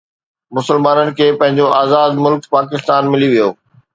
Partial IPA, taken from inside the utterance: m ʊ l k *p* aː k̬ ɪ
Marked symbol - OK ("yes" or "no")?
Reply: yes